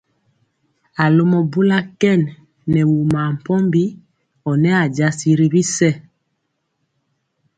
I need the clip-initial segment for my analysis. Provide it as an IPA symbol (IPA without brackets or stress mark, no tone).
a